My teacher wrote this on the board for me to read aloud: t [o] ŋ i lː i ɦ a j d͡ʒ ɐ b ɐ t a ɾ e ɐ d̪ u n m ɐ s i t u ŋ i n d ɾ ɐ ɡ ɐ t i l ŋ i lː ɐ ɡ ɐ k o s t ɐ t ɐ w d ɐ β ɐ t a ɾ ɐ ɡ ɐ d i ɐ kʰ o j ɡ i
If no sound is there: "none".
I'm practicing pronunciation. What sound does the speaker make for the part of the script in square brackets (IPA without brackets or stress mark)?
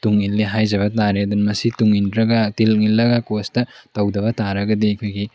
u